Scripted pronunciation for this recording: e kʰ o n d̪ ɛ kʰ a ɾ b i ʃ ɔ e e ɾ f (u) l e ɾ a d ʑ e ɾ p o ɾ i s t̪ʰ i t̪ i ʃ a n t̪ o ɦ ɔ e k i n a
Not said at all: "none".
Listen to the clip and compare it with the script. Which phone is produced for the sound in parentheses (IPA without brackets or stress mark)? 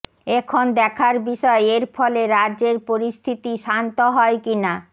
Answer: ɔ